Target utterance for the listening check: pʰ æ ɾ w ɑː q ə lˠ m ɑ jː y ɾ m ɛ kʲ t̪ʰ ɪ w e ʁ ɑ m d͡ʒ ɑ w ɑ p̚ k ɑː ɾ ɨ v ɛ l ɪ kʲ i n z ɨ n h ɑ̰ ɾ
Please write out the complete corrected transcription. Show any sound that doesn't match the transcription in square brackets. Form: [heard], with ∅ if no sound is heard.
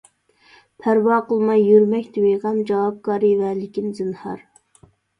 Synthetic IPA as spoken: pʰ æ ɾ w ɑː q ə lˠ m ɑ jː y ɾ m ɛ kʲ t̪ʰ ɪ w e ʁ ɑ m d͡ʒ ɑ w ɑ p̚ k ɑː ɾ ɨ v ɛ l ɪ kʲ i n z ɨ n h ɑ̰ ɾ